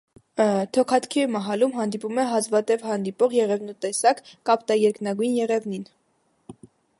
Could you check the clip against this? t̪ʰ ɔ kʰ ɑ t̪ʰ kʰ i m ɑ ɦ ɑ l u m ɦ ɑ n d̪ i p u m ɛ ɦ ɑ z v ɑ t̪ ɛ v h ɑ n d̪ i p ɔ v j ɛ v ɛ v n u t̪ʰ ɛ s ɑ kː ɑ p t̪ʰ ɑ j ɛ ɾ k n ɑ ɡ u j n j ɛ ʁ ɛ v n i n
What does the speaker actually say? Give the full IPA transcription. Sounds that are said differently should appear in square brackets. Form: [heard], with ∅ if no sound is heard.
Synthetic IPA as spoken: t̪ʰ ɔ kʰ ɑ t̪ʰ kʰ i m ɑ ɦ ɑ l u m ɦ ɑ n d̪ i p u m ɛ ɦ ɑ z v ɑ t̪ ɛ v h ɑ n d̪ i p ɔ [ʁ] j ɛ [ʁ] ɛ v n u [t̪] ɛ s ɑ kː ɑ p [t̪] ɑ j ɛ ɾ k n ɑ ɡ u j n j ɛ ʁ ɛ v n i n